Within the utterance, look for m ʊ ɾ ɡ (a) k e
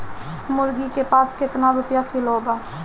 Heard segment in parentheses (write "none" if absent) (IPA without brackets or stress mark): i